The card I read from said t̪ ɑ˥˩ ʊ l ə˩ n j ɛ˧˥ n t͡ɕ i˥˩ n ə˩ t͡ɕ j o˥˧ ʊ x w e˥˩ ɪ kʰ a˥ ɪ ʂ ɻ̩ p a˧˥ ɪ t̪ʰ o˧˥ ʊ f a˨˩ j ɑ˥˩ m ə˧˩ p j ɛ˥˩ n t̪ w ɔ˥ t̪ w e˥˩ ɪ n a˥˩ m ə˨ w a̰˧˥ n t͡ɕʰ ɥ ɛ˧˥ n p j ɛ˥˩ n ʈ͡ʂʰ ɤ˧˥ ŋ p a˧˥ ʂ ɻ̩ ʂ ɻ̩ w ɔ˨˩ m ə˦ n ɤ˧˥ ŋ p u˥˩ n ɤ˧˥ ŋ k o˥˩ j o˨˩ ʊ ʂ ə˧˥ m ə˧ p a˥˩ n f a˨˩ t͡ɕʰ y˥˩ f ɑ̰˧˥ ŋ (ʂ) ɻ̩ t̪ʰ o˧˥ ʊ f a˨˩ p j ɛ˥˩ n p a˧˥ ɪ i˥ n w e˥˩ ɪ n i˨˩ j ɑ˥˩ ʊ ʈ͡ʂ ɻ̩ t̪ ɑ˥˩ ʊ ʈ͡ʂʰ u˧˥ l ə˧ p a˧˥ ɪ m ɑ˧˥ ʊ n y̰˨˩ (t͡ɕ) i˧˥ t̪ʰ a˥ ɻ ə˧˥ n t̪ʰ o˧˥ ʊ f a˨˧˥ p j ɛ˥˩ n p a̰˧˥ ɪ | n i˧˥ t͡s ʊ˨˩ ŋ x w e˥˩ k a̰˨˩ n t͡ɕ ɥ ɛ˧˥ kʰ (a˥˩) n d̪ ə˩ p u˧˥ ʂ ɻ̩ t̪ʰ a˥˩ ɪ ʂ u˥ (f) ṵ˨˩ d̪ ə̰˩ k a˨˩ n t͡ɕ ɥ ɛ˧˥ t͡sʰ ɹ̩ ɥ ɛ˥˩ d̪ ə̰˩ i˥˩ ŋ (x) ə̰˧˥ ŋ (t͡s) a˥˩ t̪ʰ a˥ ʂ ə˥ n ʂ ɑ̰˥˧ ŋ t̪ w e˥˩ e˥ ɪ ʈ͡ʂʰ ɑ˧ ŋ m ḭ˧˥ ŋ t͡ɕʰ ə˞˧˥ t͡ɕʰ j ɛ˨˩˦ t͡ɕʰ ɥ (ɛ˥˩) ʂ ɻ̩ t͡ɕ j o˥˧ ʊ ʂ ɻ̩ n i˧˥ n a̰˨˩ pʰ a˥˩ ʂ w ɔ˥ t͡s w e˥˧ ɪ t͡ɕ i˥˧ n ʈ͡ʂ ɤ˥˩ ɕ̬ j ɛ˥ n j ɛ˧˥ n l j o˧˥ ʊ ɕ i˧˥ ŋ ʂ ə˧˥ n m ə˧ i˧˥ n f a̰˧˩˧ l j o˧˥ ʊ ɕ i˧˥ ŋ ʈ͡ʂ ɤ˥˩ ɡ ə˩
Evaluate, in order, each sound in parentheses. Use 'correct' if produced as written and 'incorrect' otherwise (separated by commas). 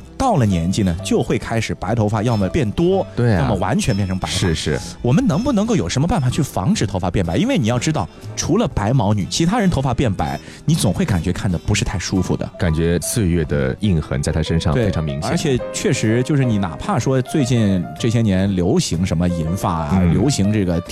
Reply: incorrect, incorrect, correct, correct, correct, correct, correct